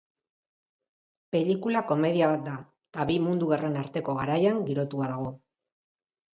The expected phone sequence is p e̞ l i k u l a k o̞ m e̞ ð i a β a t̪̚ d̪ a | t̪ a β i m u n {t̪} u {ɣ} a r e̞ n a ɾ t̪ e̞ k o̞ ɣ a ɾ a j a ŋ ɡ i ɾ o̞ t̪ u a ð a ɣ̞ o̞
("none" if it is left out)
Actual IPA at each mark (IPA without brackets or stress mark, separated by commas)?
d̪, ɣ